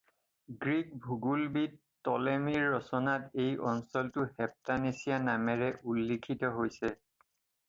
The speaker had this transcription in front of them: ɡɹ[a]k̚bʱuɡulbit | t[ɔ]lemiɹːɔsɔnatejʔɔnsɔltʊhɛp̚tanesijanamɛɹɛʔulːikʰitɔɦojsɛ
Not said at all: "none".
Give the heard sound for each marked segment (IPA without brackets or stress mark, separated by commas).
i, ɔ